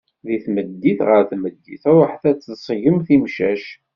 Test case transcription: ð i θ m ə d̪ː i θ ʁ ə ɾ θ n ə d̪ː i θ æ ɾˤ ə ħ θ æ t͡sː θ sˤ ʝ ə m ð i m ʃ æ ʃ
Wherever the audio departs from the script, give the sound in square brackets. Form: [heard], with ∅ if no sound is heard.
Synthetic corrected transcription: ð i θ m ə d̪ː i θ ʁ ə ɾ θ [m] ə d̪ː i θ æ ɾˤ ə ħ θ æ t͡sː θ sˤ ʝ ə m [θ] i m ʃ æ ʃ